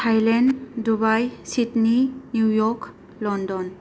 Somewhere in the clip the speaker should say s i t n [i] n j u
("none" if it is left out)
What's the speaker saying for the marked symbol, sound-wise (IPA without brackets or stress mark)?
i